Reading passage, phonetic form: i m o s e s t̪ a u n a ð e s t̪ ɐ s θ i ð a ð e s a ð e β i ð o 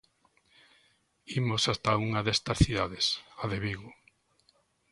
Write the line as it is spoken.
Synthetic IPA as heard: i m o s a s t̪ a u ŋ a ð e s t̪ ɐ s θ i ð a ð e s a ð e β i ɣ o